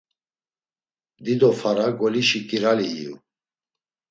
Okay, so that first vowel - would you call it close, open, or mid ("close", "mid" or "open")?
close